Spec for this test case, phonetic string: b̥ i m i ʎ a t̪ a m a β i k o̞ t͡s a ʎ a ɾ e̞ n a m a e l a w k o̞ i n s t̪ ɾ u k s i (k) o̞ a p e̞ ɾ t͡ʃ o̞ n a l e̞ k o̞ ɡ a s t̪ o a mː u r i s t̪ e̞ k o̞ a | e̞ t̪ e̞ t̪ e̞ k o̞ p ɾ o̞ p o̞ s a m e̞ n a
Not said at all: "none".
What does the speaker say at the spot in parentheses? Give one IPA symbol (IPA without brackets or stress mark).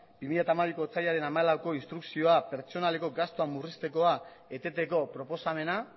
none